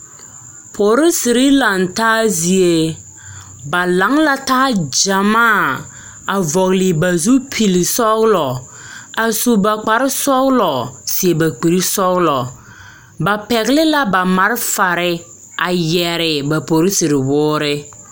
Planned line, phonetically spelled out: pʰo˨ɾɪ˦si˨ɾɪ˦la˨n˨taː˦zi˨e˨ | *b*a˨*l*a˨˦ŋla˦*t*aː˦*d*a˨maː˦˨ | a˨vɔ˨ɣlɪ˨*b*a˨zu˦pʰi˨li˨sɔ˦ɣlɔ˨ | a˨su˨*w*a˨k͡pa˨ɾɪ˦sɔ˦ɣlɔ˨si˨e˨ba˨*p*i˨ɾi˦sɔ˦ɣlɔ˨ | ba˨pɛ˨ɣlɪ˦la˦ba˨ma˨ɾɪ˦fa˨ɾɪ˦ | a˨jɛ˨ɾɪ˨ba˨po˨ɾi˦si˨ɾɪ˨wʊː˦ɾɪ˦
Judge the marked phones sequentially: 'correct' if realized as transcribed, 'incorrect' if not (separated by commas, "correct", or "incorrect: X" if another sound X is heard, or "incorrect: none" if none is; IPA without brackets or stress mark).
correct, correct, correct, incorrect: d͡ʒ, correct, incorrect: b, incorrect: k͡p